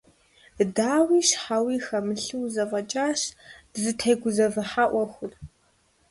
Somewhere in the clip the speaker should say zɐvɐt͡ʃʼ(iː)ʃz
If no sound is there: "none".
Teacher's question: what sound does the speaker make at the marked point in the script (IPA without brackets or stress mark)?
aː